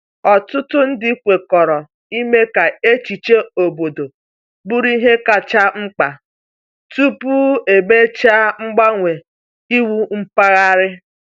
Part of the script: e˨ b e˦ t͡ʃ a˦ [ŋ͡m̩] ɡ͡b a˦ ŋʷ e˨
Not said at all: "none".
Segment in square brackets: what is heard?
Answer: ŋ͡m̩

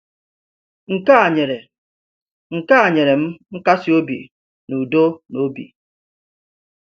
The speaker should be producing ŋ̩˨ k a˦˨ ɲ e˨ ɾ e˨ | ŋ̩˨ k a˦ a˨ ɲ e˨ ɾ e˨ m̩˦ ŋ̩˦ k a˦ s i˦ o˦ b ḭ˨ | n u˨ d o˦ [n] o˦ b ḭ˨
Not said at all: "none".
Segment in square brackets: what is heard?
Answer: n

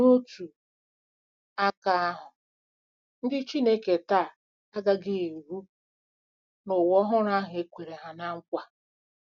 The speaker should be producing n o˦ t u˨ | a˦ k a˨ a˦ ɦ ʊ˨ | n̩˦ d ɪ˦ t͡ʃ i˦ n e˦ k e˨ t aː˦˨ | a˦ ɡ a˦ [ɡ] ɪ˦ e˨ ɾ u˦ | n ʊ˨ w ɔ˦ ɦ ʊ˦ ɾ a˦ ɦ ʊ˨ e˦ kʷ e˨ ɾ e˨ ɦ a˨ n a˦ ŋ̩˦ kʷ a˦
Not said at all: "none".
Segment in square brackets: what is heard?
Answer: ɡ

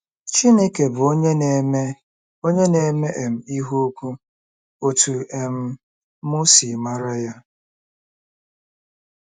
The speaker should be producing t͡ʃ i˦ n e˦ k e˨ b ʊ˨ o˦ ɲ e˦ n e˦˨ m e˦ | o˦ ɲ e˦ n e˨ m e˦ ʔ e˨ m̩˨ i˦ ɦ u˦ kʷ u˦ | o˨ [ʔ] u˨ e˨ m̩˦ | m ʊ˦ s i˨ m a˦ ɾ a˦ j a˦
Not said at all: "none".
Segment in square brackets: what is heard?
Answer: t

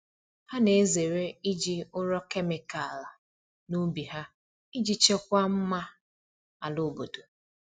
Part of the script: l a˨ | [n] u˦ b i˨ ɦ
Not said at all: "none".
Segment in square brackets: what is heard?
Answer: n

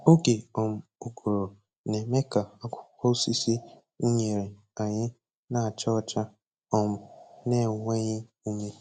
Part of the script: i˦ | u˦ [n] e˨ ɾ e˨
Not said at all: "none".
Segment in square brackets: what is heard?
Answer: ɲ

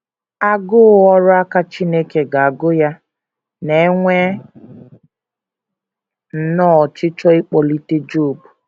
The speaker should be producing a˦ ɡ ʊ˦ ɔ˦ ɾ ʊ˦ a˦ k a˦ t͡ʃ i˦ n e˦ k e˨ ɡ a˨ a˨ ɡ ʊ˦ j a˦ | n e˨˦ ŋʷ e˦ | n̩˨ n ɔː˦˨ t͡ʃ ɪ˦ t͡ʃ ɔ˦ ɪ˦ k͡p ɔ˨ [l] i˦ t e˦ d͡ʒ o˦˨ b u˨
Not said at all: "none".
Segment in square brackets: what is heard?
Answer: l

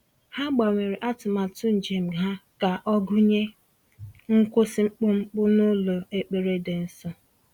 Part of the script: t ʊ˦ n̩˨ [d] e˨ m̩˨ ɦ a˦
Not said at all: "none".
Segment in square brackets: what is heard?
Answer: d͡ʒ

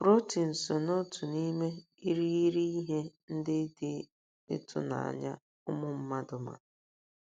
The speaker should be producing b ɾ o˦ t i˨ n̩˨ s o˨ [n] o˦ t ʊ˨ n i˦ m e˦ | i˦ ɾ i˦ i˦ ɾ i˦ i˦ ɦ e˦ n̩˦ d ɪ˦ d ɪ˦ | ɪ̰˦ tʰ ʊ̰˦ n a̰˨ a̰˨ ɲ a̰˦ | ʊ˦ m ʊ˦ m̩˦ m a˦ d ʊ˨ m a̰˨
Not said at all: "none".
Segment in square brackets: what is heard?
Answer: n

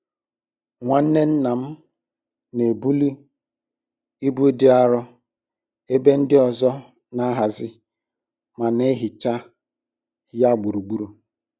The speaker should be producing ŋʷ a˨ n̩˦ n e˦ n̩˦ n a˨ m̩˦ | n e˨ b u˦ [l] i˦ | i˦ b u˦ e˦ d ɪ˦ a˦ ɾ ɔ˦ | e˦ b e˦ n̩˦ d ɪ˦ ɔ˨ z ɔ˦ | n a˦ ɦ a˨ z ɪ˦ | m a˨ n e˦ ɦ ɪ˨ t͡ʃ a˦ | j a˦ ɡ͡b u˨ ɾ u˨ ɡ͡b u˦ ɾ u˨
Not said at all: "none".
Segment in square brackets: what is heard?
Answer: l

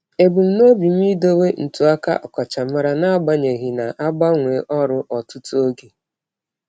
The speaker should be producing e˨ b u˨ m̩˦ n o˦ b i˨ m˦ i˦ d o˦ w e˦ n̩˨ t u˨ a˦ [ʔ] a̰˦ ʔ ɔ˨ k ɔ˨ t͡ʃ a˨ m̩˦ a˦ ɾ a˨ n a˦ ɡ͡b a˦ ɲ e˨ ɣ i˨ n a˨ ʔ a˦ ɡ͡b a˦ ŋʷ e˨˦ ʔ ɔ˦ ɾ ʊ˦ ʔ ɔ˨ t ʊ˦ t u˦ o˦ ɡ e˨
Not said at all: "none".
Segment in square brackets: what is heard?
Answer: k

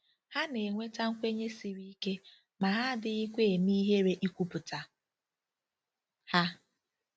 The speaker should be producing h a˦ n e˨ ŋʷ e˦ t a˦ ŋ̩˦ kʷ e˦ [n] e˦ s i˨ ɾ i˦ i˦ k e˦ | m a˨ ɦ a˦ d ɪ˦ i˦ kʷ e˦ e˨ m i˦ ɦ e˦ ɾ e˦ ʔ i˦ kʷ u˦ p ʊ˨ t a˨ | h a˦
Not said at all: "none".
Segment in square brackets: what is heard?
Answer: ɲ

